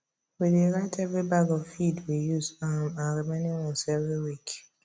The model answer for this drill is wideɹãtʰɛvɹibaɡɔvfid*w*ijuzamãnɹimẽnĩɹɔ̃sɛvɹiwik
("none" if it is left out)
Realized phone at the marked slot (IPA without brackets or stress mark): w